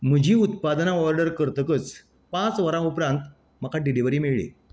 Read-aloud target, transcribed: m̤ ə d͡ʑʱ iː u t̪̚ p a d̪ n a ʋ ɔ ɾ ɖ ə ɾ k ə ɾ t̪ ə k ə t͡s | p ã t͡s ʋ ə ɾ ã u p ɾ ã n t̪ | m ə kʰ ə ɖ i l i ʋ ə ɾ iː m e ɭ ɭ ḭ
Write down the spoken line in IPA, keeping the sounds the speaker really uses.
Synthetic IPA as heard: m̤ ə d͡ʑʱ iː u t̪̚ p a d̪ n a ʋ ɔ ɾ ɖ ə ɾ k ə ɾ t̪ ə k ə t͡s | p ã t͡s ʋ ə ɾ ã u p ɾ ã n t̪ | m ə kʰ a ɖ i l i ʋ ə ɾ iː m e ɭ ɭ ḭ

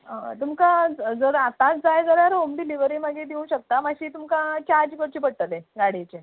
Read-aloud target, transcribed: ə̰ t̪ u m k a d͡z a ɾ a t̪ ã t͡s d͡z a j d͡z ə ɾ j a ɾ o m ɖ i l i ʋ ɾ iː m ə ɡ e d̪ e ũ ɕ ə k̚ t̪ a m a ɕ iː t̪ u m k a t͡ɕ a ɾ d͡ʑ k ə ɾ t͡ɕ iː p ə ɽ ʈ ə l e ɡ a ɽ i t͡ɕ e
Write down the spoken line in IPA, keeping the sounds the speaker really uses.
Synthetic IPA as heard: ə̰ t̪ u m k a d͡z ə ɾ a t̪ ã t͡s d͡z a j d͡z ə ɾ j a ɾ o m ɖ i l i ʋ ɾ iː m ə ɡ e d̪ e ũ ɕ ə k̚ t̪ a m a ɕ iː t̪ u m k a t͡ɕ a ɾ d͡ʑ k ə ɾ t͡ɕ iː p ə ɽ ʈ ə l e ɡ a ɽ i t͡ɕ e

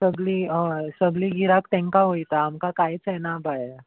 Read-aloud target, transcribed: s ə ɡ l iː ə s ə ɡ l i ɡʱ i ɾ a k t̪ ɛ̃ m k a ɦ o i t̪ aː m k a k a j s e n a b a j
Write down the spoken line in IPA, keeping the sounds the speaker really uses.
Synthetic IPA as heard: s ə ɡ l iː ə s ə ɡ l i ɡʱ i ɾ a k t̪ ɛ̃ ŋ k a ɦ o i t̪ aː m k a k a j t͡s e n a b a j

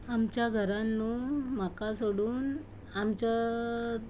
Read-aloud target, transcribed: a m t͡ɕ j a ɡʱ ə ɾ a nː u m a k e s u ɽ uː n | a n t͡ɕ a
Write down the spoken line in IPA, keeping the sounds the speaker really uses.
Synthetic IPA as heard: a m t͡ɕ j a ɡʱ ə ɾ a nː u m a k a s o ɽ uː n | a m t͡ɕ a

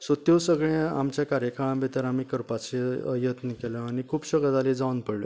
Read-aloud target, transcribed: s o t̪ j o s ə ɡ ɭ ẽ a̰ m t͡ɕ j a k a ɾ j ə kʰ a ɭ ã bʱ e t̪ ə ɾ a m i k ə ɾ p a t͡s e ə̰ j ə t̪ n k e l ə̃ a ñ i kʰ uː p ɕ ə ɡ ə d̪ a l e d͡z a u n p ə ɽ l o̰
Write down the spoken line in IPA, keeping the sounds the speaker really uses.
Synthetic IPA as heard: s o t̪ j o s ə ɡ ɭ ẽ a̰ m t͡ɕ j a k a ɾ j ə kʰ a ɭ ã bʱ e t̪ ə ɾ a m i k ə ɾ p a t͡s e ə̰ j ə t̪ n k e l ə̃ a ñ i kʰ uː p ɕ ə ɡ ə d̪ a l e d͡z a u n p ə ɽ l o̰

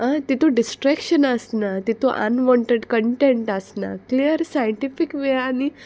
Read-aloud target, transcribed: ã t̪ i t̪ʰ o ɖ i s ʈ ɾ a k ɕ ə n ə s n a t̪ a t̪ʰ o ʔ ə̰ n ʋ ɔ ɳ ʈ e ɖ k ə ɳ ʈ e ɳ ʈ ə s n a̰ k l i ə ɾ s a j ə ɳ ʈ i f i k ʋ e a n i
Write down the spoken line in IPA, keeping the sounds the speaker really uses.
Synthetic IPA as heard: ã t̪ i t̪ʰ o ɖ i s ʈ ɾ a k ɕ ə n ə s n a t̪ i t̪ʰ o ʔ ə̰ n ʋ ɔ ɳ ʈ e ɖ k ə ɳ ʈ e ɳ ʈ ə s n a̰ k l i ə ɾ s a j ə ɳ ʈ i f i k ʋ e a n i

